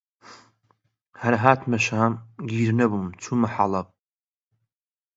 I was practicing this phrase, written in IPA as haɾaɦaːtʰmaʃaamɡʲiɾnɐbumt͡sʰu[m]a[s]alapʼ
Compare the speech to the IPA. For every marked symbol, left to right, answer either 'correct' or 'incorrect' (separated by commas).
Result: correct, incorrect